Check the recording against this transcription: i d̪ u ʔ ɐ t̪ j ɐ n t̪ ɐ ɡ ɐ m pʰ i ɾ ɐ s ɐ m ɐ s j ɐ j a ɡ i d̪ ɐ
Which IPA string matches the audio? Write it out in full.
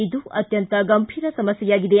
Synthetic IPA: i d̪ u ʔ ɐ t̪ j ɐ n t̪ ɐ ɡ ɐ m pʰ i ɾ ɐ s ɐ m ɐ s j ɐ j a ɡ i d̪ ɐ